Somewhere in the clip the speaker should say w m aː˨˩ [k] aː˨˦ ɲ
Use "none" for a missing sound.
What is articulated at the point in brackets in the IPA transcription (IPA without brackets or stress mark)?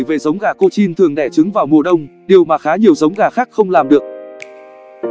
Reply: x